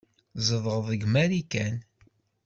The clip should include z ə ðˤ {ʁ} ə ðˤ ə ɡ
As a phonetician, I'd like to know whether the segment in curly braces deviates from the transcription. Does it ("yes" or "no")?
no